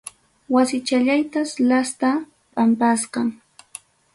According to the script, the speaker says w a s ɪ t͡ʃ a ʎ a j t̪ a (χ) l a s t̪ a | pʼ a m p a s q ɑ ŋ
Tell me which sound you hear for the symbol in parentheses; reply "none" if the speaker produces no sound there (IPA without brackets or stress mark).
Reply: s